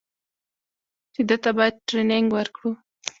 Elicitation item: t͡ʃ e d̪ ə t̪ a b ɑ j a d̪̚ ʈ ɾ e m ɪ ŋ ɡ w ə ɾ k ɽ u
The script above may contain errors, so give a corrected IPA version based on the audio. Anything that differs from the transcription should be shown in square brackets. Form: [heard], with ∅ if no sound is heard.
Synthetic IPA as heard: t͡ʃ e d̪ ə t̪ a b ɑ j a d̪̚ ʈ ɾ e [n] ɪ ŋ ɡ w ə ɾ k ɽ u

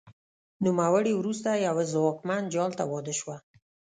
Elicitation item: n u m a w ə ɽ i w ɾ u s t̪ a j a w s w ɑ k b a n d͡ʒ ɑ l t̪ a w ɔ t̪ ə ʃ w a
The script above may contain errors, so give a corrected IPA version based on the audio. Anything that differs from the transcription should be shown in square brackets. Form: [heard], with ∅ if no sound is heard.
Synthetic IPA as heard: n u m a w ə ɽ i w ɾ u s t̪ a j a w [z] w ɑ k [m] a n d͡ʒ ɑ l t̪ a w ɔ [d̪] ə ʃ w a

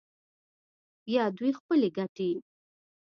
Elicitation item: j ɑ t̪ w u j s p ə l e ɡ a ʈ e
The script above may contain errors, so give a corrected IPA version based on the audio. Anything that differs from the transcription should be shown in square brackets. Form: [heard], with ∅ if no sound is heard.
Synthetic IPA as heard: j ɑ [d̪] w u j [x] p ə l e ɡ a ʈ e

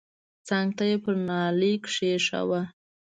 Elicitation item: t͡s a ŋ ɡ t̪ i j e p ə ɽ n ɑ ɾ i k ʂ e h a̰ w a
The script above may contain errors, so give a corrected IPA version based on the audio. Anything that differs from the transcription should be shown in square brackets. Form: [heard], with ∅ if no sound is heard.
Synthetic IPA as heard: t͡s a ŋ ɡ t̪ [a] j e p ə [ɾ] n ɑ [l] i k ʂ e [ʂ] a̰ w a

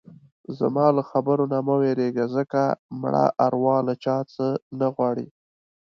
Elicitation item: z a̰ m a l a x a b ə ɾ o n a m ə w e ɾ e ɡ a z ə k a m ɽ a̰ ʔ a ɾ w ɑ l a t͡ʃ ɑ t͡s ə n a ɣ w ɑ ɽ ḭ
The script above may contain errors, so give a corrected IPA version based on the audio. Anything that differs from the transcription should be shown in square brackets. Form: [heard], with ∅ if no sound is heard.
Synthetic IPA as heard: z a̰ m [ɑ] l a x a b ə ɾ o n a m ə w e ɾ e ɡ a z ə k a m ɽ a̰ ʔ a ɾ w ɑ l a t͡ʃ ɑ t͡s ə n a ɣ w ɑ ɽ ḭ

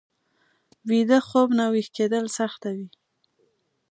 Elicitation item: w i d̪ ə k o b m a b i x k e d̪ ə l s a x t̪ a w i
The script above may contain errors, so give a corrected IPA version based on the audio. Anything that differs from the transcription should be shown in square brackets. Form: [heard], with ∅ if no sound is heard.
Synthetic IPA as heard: w i d̪ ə [x] o b [n] a [w] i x k e d̪ ə l s a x t̪ a w i

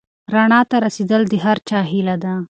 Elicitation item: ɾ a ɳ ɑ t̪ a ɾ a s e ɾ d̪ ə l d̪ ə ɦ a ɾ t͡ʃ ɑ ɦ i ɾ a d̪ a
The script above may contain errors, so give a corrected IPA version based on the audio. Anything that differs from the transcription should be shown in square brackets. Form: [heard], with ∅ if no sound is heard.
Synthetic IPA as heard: ɾ a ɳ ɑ t̪ a ɾ a s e [∅] d̪ ə l d̪ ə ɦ a ɾ t͡ʃ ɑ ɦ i [l] a d̪ a

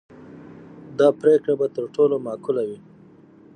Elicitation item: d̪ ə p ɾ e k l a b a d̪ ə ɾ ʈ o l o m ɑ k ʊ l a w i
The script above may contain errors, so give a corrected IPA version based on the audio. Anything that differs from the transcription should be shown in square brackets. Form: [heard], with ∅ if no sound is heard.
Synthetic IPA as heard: d̪ [ɑ] p ɾ e k [ɽ] a b a [t̪] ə ɾ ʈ o l o m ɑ k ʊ l a w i

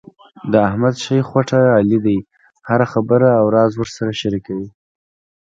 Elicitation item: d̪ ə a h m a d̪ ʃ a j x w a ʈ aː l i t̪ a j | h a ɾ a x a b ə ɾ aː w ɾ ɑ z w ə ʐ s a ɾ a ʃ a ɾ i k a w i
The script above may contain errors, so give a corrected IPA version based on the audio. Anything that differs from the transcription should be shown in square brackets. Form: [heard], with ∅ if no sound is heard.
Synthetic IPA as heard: d̪ ə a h m a d̪ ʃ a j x w a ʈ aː l i [d̪] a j | h a ɾ a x a b ə ɾ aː w ɾ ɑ z w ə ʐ s a ɾ a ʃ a ɾ i k a w i

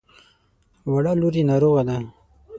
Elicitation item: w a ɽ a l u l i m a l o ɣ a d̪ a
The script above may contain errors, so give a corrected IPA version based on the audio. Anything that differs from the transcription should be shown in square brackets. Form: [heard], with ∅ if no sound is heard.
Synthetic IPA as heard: w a ɽ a l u [ɾ] i [n] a [ɾ] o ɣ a d̪ a

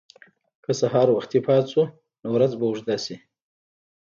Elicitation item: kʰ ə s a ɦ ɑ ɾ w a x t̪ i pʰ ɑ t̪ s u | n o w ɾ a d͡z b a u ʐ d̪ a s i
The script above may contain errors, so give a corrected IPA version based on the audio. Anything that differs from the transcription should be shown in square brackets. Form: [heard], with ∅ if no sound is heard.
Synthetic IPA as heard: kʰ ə s a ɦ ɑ ɾ w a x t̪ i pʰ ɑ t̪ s u | n o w ɾ a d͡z b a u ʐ d̪ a s i

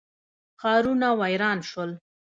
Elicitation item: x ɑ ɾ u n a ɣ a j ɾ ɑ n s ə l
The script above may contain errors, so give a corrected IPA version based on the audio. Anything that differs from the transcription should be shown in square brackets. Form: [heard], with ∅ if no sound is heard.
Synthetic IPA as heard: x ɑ ɾ u n a [w] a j ɾ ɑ n [ʃ] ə l

